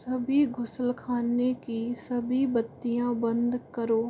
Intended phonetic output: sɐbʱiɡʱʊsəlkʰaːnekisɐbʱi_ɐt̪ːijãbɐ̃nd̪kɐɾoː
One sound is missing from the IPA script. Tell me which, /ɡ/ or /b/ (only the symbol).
b